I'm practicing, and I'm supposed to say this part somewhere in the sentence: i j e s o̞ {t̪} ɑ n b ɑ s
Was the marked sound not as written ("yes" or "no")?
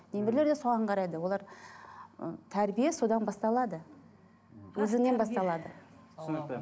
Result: yes